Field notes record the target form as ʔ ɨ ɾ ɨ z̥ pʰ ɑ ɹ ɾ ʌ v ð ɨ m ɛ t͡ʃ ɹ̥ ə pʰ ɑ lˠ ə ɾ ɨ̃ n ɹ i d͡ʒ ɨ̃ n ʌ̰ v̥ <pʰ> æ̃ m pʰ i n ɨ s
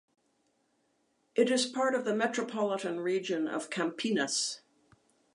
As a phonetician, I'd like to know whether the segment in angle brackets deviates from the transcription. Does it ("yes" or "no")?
yes